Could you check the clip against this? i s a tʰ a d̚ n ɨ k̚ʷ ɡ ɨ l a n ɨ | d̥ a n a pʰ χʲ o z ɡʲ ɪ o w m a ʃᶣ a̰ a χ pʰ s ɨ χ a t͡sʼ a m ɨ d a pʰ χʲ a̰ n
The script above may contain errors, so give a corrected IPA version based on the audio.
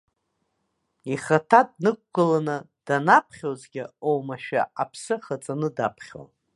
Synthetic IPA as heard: i χ a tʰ a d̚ n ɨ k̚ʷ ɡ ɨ l a n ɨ | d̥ a n a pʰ χʲ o z ɡʲ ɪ o w m a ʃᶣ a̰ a pʰ s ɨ χ a t͡sʼ a n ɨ d a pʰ χʲ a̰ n